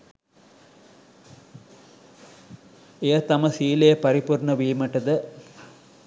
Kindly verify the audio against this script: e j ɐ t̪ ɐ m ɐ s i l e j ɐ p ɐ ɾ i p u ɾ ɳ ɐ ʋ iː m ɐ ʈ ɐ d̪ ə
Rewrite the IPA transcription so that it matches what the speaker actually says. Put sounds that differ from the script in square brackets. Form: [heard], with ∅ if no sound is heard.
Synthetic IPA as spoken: e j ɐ t̪ ɐ m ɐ s [iː] l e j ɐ p ɐ ɾ i p u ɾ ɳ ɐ ʋ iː m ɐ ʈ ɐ d̪ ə